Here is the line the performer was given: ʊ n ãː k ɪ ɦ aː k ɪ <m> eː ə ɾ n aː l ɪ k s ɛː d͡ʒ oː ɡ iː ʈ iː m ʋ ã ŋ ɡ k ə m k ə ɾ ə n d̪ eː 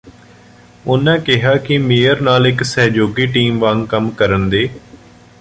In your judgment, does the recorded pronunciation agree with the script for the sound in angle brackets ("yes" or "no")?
yes